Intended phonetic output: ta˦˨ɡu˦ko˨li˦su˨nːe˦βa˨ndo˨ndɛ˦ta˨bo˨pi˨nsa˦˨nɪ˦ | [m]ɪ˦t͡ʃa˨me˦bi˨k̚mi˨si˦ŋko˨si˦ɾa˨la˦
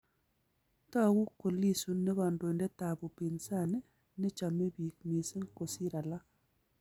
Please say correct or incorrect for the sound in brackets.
incorrect